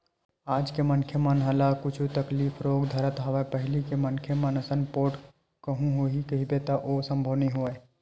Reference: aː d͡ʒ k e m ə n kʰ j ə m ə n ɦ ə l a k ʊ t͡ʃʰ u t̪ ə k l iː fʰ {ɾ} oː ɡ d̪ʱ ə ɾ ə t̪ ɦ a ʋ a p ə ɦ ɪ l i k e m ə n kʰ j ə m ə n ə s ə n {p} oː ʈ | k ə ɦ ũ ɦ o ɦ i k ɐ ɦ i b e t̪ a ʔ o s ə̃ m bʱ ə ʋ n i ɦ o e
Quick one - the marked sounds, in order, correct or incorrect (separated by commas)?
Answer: correct, correct